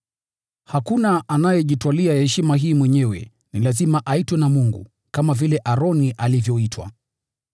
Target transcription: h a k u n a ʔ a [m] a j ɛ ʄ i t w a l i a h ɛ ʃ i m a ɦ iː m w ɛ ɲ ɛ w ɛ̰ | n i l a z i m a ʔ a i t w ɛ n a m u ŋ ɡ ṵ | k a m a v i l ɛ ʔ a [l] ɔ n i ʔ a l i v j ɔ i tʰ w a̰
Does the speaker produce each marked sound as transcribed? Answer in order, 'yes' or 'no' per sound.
no, no

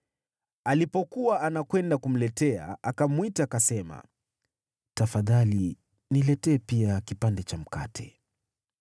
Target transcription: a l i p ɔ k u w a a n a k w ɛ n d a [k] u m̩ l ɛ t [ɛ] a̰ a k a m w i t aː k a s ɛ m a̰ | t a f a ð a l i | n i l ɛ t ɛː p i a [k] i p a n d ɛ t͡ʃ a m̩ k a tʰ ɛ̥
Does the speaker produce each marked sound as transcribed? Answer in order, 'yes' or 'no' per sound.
yes, yes, yes

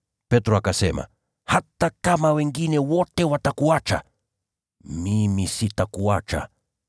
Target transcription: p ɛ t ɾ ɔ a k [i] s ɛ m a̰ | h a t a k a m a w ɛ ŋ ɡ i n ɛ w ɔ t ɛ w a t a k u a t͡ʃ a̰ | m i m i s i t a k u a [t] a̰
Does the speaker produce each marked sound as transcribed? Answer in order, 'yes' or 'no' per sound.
no, no

